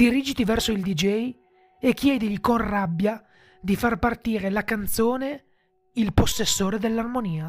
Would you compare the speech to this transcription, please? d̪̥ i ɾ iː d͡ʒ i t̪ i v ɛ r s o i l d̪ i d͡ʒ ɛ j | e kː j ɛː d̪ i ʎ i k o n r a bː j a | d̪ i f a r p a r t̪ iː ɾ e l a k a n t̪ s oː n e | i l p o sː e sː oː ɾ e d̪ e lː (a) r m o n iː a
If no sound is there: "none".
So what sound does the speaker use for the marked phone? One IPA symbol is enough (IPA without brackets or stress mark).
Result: a